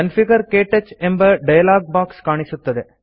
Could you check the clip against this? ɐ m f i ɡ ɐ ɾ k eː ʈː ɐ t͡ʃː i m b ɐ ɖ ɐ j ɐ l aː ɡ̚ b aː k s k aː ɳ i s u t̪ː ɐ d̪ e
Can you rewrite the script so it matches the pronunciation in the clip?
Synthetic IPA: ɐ n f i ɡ ɐ ɾ k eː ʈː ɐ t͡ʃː e m b ɐ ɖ ɐ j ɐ l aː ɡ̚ b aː k s k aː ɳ i s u t̪ː ɐ d̪ e

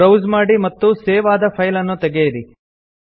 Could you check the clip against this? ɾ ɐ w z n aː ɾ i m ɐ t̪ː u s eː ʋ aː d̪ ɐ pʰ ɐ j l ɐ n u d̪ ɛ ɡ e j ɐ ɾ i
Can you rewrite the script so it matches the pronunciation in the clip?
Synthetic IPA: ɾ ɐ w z m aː ɽ i m ɐ t̪ː u s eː ʋ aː d̪ ɐ pʰ ɐ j l ɐ nː u t̪ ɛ ɡ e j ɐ ɾ i

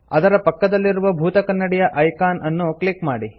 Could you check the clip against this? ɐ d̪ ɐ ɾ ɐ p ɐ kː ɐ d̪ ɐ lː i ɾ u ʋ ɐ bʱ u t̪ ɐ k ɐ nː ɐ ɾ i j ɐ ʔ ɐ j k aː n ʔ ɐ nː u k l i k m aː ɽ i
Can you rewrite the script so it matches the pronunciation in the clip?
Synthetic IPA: ɐ d̪ ɐ ɾ ɐ p ɐ kː ɐ d̪ ɐ lː i ɾ u ʋ ɐ bʱ uː t̪ ɐ k ɐ nː ɐ ɽ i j ɐ ʔ ɐ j k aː n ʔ ɐ nː u k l i k m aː ɽ i

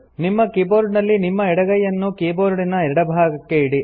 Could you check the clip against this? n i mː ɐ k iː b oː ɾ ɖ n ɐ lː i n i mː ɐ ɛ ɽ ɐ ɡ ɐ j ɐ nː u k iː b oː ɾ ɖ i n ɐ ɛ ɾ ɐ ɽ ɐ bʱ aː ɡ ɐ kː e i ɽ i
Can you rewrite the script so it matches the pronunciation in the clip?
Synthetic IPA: n i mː ɐ k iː b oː ɾ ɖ n ɐ lː i n i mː ɐ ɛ ɽ ɐ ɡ ɐ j ɐ nː u k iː b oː ɾ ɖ i n ɐ ɛ ɾ ɐ ɽ ɐ bʱ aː ɡ ɐ kː e i ɽ i

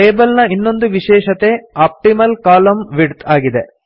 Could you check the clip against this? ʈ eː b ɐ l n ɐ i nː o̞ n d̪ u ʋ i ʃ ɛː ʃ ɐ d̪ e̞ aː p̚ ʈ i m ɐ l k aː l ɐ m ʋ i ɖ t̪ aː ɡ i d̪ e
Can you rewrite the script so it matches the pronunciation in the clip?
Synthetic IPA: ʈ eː b ɐ l n ɐ i nː o̞ n d̪ u ʋ i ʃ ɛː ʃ ɐ t̪ e̞ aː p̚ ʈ i m ɐ l k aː l ɐ m ʋ i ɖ t̪ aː ɡ i d̪ e

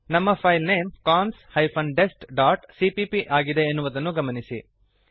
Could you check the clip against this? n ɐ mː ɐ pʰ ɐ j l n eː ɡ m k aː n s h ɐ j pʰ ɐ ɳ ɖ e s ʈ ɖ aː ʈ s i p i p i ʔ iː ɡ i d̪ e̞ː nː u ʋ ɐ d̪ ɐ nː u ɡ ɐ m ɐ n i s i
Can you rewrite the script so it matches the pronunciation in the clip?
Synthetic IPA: n ɐ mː ɐ pʰ ɐ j l n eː m k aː n s h ɐ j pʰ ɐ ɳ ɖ e s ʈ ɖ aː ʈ s i p i p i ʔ aː ɡ i d̪ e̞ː nː u ʋ ɐ d̪ ɐ nː u ɡ ɐ m ɐ n i s i

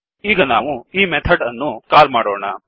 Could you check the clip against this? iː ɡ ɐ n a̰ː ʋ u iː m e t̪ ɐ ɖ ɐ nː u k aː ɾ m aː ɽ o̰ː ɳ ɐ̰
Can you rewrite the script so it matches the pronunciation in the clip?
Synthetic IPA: iː ɡ ɐ n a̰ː ʋ u iː m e t̪ʰ ɐ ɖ ɐ nː u k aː ɾ m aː ɽ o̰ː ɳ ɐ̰

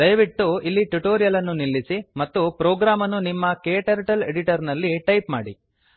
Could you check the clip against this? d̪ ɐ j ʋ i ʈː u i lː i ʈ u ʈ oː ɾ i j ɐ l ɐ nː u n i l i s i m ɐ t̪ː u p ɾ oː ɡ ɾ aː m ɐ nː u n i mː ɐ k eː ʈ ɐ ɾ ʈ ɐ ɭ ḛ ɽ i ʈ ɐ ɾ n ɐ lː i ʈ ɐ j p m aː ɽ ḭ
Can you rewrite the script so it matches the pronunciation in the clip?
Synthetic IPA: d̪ ɐ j ʋ i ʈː u i lː i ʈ u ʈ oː ɾ i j ɐ l ɐ nː u n i lː i s i m ɐ t̪ː u p ɾ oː ɡ ɾ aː m ɐ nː u n i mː ɐ k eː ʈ ɐ ɾ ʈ ɐ l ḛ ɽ i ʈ ɐ ɾ n ɐ lː i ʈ ɐ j p m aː ɽ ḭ

